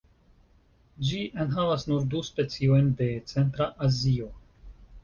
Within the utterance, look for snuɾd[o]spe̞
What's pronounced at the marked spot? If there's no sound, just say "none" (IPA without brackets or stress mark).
u